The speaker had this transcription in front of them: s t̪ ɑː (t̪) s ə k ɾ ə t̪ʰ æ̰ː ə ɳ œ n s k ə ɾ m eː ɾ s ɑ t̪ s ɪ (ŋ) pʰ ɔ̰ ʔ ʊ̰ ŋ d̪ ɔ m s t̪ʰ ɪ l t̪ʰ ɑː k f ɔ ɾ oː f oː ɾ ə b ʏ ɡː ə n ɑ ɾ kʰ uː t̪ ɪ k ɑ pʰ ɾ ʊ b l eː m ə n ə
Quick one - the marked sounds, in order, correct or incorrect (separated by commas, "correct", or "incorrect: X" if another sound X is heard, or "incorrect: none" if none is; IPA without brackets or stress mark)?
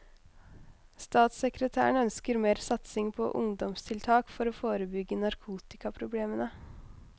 correct, correct